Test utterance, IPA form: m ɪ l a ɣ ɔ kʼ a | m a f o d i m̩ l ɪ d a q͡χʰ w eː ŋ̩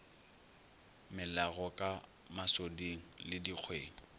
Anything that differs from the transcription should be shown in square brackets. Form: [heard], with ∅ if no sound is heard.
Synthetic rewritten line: m ɪ l a ɣ ɔ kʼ a | m a [s] o d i [ŋ̩] l ɪ d [i] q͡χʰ w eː ŋ̩

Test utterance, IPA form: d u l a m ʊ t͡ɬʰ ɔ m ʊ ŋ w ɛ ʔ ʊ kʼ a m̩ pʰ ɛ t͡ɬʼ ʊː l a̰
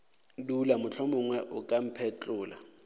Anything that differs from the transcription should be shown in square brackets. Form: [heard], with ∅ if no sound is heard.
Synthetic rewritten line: d u l a m ʊ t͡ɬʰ ɔ m ʊ ŋ w ɛ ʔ ʊ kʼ a m̩ pʰ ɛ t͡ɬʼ ʊː l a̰

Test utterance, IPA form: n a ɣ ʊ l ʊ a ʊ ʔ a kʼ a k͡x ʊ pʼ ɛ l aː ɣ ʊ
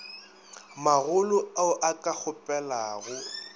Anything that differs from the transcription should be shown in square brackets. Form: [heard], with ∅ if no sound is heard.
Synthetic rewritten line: [m] a ɣ ʊ l ʊ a ʊ ʔ a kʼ a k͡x ʊ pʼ ɛ l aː ɣ ʊ

